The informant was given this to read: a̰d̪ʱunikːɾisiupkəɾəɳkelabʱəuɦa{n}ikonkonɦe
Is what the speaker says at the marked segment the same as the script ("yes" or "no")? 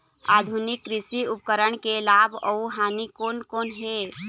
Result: yes